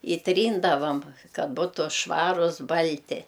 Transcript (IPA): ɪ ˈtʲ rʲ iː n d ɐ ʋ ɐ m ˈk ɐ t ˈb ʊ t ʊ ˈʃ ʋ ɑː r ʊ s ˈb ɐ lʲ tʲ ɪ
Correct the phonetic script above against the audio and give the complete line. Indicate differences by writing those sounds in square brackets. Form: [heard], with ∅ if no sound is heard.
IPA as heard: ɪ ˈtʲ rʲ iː n d ɐ ʋ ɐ m ˈk ɐ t ˈb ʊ t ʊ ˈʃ ʋ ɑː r ʊ s ˈb ɐ lʲ tʲ ɪ